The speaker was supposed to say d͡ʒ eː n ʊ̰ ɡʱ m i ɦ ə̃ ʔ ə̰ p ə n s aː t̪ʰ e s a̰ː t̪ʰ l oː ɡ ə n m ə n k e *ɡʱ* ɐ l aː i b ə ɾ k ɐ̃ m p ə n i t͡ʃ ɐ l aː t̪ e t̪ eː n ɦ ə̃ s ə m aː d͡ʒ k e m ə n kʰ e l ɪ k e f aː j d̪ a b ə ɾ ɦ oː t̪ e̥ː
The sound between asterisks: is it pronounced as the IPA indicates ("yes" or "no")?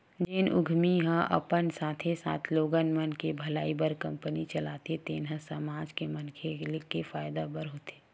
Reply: no